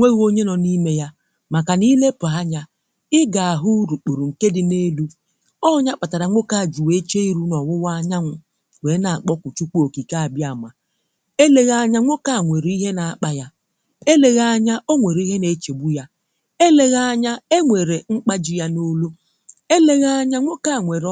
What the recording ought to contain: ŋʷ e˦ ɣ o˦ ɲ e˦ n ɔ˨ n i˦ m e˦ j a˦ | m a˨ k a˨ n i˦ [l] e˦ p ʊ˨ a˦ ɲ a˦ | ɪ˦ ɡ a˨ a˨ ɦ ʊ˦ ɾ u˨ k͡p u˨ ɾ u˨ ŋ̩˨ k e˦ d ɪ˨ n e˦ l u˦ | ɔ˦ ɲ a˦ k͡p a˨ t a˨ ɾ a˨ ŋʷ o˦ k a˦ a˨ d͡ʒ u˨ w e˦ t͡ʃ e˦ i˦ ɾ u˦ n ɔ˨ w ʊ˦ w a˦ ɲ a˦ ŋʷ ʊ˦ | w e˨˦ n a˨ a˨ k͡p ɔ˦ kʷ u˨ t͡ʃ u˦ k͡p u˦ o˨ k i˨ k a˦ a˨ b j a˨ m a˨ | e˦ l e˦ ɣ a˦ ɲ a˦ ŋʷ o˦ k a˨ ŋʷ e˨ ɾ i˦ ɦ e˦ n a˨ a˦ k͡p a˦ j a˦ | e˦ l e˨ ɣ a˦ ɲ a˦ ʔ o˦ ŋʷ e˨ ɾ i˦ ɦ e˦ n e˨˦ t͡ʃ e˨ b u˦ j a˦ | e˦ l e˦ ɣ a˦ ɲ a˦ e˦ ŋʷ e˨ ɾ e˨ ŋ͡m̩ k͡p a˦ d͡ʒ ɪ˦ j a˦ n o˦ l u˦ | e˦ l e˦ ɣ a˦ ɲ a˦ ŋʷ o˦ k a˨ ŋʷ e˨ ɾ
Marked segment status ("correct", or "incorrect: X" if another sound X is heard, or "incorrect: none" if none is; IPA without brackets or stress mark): correct